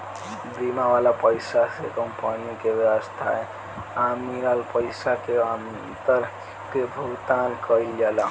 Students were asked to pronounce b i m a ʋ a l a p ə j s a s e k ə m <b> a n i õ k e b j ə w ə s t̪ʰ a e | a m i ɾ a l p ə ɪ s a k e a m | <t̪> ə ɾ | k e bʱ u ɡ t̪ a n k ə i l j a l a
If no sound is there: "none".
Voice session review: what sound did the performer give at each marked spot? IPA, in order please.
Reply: p, t̪

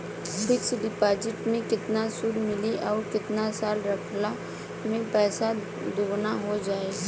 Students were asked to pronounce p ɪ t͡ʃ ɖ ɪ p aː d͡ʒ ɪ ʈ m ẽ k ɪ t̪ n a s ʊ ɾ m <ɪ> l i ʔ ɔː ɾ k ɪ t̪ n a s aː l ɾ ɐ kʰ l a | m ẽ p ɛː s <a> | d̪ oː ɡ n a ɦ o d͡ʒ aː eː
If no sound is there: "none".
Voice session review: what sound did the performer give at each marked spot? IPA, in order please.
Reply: ɪ, a

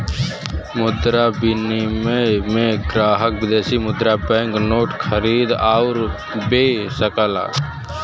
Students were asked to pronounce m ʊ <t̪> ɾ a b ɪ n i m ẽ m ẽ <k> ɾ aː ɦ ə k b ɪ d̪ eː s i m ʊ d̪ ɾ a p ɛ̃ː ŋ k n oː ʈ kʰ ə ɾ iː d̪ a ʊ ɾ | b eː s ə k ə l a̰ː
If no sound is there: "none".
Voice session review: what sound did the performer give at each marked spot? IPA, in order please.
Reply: d̪, ɡ

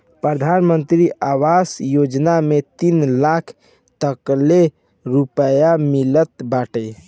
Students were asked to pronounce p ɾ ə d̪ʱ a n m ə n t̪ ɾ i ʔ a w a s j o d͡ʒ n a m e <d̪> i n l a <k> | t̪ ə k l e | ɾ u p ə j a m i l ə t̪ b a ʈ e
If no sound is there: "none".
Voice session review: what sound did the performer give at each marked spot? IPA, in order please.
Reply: t̪, kʰ

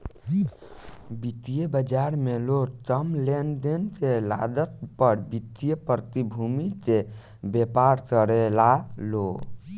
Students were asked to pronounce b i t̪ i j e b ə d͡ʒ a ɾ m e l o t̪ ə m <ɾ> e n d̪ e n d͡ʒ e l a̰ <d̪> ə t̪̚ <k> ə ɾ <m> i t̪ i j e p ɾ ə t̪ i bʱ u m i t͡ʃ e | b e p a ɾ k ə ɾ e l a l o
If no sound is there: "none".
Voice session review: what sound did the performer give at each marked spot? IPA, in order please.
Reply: l, d̪, p, b

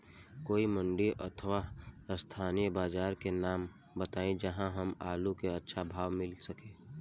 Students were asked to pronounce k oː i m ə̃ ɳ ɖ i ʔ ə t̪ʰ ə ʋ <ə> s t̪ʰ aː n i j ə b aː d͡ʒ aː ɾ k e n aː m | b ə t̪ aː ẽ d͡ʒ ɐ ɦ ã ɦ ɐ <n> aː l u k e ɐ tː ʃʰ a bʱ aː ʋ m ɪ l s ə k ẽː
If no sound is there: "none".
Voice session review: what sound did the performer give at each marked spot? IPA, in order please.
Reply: a, m

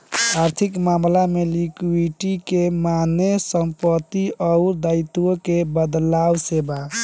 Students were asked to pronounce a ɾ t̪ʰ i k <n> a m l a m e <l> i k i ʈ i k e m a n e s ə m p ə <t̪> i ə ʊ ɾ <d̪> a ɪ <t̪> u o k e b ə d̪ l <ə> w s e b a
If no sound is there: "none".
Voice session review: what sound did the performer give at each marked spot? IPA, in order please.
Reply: m, l, t̪, d̪, t̪, a

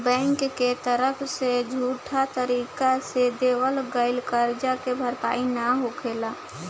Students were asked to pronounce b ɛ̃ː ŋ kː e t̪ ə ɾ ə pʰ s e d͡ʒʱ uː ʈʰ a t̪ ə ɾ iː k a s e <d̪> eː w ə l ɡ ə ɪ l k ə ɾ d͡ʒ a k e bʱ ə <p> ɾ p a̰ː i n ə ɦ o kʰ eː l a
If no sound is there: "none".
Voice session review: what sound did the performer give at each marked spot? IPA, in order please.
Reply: d̪, none

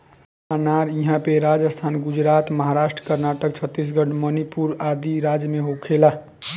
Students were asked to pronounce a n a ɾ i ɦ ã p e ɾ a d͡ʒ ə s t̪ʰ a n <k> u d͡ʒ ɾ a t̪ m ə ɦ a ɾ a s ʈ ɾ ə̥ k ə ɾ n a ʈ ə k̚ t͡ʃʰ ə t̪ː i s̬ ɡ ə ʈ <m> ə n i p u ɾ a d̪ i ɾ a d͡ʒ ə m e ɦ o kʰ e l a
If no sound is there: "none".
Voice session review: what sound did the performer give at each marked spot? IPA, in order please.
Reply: ɡ, m

